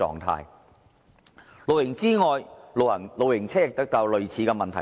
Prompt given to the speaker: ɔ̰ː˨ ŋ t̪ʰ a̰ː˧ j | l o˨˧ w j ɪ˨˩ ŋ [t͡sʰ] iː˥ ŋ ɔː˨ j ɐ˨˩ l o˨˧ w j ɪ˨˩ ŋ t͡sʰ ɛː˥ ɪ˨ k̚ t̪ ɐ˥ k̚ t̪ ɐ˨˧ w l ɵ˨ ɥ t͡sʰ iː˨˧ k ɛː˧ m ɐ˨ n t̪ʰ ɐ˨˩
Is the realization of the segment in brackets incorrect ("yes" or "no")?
yes